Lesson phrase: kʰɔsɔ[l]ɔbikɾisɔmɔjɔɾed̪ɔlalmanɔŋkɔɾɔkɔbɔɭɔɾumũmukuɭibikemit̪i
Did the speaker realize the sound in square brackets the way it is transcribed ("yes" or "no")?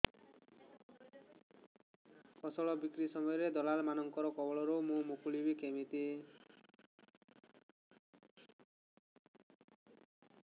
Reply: no